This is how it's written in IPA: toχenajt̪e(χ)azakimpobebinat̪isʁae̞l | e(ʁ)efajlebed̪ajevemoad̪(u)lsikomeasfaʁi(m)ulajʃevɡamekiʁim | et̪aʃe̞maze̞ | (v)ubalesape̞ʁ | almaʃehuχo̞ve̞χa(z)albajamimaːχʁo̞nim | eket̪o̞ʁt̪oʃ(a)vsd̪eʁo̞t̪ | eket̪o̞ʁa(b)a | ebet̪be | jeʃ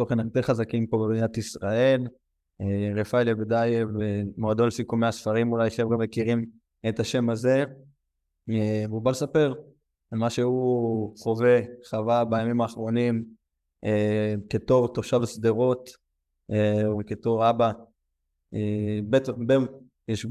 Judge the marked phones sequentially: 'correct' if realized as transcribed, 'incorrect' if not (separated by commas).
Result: correct, correct, incorrect, correct, correct, incorrect, correct, correct